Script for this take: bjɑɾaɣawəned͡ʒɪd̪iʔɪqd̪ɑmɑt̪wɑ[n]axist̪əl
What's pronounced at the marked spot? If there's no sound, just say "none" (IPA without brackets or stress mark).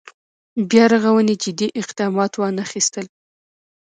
n